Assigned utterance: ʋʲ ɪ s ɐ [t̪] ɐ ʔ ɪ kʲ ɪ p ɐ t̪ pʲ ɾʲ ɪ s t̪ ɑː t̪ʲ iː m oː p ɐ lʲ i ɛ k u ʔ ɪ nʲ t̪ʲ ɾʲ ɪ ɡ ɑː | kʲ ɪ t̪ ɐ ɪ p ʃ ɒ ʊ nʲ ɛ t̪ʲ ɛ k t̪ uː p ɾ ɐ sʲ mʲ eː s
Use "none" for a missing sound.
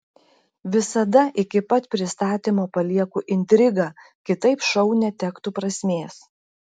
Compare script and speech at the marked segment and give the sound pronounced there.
d̪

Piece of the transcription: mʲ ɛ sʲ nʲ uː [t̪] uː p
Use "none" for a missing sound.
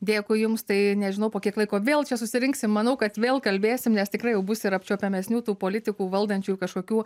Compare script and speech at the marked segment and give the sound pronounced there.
t̪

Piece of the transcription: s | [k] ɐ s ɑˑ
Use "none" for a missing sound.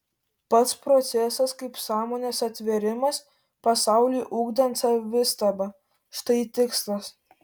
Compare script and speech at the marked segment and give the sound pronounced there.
p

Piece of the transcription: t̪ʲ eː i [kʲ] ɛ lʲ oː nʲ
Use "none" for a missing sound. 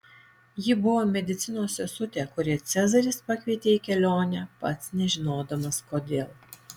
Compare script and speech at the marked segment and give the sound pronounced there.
kʲ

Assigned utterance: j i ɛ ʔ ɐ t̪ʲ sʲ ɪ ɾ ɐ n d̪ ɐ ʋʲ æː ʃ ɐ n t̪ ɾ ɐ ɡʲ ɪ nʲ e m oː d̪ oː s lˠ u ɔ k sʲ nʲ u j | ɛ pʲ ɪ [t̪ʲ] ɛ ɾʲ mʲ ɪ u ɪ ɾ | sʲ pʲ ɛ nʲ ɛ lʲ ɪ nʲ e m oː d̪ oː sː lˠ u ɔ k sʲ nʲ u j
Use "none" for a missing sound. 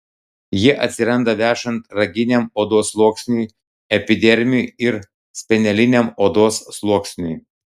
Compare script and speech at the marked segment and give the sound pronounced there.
d̪ʲ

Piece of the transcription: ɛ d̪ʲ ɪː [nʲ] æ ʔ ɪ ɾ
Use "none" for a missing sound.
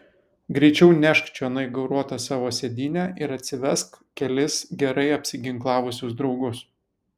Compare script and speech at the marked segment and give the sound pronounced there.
nʲ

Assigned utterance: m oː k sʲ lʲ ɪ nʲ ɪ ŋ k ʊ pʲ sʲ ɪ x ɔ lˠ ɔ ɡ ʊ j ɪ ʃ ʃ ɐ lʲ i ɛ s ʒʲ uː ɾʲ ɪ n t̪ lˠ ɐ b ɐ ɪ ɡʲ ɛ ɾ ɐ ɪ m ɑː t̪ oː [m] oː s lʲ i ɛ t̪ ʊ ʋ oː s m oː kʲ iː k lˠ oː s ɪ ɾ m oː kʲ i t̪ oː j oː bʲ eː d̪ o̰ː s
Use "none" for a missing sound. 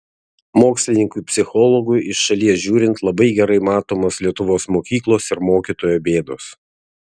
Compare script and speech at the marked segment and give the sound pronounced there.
m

